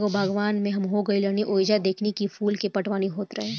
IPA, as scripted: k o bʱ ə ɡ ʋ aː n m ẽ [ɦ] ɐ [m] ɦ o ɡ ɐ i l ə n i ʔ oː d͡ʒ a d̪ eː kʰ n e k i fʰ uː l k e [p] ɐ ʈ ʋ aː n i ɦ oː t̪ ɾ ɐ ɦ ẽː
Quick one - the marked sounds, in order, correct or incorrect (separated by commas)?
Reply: correct, correct, correct